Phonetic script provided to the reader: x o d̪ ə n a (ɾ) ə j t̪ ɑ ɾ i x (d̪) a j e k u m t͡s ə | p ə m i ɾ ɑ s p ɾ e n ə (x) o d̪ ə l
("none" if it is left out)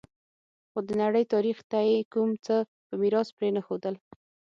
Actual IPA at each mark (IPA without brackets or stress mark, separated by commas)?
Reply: ɽ, t̪, x